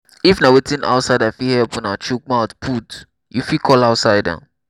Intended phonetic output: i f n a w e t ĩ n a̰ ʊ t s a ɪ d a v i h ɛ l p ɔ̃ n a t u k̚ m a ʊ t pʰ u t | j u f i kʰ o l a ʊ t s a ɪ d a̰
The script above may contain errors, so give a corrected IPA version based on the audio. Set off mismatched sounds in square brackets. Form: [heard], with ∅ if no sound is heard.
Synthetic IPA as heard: i f n a w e t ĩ n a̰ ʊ t s a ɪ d a [f] i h ɛ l p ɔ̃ n a [t͡ʃ] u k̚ m a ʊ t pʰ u t | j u f i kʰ [ɔ] l a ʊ t s a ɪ d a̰